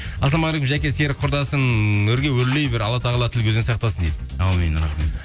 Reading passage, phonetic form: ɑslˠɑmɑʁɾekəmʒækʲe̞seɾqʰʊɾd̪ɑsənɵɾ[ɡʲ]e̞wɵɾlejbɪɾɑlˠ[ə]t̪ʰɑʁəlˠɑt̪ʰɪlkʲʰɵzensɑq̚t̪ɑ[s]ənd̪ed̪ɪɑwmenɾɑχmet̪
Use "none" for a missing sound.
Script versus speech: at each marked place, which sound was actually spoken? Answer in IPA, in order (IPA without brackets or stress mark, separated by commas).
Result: ɡʲ, ɑ, s